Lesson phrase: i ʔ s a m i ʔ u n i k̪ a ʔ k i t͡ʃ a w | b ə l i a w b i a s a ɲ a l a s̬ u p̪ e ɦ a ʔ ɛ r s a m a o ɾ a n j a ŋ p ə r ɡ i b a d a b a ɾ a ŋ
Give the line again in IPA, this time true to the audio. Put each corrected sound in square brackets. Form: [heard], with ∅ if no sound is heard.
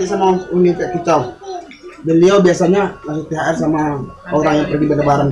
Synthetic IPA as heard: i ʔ s a m [a] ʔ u n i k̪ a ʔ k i t͡ʃ a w | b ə l i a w b i a s a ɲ a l a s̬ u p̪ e ɦ a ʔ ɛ r s a m a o ɾ a [ŋ] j a ŋ p ə r ɡ i b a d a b a ɾ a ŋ